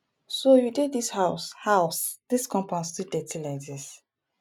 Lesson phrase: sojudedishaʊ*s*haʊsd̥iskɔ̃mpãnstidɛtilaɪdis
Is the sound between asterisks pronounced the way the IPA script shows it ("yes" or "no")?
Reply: yes